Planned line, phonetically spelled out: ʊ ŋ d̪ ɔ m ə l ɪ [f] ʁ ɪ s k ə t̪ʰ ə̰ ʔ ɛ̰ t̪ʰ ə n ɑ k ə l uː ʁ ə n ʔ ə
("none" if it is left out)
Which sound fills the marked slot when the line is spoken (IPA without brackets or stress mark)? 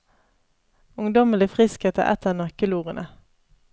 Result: f